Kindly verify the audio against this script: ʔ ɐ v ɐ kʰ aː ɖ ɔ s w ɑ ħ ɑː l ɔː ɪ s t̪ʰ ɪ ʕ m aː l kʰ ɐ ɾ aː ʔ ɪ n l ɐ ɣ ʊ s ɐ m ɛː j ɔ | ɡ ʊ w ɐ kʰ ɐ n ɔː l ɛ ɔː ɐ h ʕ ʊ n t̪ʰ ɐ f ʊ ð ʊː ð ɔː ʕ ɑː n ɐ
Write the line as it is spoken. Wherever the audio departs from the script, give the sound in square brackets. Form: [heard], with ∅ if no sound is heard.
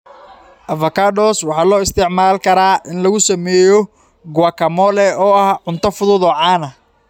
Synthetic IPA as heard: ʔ ɐ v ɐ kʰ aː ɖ ɔ s w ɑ ħ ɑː l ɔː ɪ s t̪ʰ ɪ ʕ m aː l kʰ ɐ ɾ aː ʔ ɪ n l ɐ ɣ ʊ s ɐ m ɛː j ɔ | ɡ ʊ w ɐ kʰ ɐ [m] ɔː l ɛ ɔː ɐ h ʕ ʊ n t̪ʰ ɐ f ʊ ð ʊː ð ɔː ʕ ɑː n ɐ